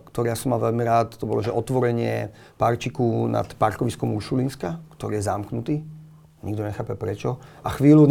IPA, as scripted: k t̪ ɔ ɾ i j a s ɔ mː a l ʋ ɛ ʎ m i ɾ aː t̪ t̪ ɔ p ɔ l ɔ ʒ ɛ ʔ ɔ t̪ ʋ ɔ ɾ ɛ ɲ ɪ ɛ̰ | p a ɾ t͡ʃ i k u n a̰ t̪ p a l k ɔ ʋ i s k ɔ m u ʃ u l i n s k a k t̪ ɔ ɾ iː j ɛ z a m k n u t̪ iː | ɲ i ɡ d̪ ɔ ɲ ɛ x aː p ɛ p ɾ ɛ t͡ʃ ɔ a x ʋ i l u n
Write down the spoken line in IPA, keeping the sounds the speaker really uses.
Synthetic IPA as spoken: k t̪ ɔ ɾ i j a s ɔ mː a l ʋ ɛ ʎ m i ɾ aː t̪ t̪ ɔ b ɔ l ɔ ʒ ɛ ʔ ɔ t̪ ʋ ɔ ɾ ɛ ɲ ɪ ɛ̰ | p a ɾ t͡ʃ i k u n a̰ t̪ p a ɾ k ɔ ʋ i s k ɔ m u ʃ u l i n s k a k t̪ ɔ ɾ iː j ɛ z a m k n u t̪ iː | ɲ i ɡ d̪ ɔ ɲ ɛ x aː p ɛ p ɾ ɛ t͡ʃ ɔ a x ʋ iː l u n